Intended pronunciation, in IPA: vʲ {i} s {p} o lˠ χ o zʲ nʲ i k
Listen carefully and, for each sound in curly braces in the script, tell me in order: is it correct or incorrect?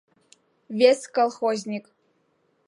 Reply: incorrect: e, incorrect: k

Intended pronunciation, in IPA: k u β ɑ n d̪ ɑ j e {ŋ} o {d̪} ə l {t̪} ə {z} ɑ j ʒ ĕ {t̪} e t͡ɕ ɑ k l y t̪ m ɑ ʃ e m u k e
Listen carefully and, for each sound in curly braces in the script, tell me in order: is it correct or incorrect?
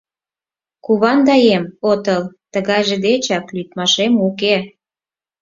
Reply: incorrect: m, incorrect: t̪, correct, incorrect: ɣ, incorrect: d̪

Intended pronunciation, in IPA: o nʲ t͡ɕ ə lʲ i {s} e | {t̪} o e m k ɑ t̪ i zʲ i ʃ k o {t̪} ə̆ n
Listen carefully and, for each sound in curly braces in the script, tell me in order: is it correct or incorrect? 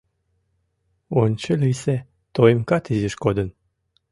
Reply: correct, correct, incorrect: d̪

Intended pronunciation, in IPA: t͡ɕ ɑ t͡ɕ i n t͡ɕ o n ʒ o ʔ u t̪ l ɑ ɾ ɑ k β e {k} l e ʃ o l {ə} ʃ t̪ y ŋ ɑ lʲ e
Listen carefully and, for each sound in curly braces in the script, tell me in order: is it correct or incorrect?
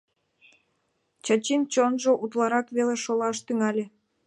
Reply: incorrect: none, incorrect: ɑ

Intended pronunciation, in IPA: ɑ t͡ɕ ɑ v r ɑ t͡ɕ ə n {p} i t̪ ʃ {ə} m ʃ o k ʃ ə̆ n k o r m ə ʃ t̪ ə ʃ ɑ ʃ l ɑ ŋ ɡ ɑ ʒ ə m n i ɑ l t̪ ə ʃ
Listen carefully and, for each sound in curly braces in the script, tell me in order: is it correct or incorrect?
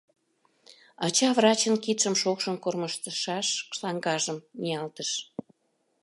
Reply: incorrect: k, correct

